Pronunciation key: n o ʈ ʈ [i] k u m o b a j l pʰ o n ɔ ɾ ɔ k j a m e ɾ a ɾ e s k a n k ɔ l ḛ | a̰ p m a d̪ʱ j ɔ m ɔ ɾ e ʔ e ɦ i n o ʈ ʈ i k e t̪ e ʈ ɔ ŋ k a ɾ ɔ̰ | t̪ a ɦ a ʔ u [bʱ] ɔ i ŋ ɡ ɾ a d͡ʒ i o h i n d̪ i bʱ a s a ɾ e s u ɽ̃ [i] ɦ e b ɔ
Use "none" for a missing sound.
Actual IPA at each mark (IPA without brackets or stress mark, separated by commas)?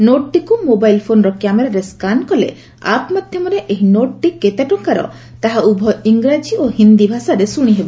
i, bʱ, i